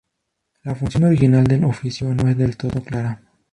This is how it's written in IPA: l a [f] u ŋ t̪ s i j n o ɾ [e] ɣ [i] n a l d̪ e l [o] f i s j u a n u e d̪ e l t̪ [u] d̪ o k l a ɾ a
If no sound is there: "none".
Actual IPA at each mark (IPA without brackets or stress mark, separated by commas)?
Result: f, i, i, o, o